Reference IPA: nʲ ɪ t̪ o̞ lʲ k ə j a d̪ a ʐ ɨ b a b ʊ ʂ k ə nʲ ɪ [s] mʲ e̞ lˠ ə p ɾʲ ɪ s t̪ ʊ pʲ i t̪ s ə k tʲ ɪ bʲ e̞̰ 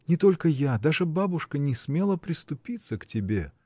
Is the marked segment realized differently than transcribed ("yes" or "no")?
no